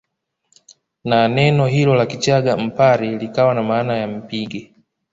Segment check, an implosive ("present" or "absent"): absent